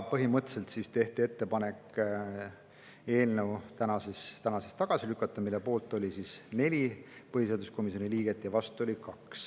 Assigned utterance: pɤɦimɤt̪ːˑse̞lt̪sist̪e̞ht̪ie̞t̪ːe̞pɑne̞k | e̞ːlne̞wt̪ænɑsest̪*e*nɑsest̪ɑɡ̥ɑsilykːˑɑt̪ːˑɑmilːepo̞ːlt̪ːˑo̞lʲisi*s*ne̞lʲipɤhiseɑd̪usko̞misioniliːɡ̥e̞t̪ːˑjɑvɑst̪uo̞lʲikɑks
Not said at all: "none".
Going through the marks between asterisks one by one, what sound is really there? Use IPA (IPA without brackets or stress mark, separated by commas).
æ, s